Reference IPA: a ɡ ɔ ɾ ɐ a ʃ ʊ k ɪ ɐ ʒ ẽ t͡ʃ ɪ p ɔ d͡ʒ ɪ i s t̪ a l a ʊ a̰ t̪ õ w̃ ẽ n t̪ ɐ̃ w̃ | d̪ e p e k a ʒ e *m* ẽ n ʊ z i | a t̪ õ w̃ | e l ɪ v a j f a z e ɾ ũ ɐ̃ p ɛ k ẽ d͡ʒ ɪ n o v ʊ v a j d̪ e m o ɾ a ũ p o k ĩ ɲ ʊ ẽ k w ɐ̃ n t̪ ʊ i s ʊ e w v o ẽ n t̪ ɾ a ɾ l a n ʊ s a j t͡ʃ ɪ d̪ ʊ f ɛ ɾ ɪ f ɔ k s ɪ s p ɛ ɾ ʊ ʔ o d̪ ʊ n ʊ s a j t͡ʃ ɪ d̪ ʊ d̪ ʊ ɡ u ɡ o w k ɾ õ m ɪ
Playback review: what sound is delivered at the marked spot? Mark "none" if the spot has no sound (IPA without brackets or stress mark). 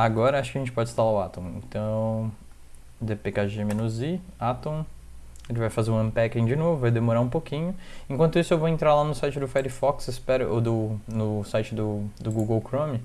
m